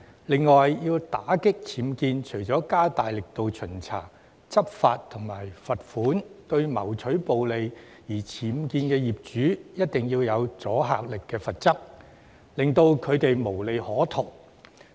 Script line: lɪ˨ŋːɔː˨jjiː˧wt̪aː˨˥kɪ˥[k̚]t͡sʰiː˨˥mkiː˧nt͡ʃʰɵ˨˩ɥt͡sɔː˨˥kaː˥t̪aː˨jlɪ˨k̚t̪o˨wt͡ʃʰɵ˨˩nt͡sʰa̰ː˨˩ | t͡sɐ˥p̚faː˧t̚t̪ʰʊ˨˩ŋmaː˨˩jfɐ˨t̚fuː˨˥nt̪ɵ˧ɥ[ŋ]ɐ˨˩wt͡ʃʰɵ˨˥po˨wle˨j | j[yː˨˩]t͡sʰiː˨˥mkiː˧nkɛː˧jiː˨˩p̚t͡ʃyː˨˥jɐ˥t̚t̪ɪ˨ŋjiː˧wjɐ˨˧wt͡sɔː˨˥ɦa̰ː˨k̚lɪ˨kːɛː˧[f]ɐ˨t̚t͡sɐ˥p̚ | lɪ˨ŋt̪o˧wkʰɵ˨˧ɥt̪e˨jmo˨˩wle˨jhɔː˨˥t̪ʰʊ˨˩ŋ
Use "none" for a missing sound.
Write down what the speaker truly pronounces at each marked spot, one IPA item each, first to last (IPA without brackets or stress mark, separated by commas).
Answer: k̚, m, iː˨˩, f